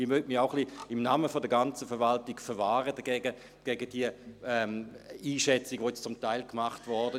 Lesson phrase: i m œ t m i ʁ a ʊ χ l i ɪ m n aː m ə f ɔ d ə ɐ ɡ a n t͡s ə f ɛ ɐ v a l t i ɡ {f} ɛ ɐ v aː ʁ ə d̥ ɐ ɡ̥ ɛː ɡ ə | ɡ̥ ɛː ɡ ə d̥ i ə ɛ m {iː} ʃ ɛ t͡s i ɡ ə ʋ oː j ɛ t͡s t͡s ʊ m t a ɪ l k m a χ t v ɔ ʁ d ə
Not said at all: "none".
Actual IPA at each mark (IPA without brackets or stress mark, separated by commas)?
f, iː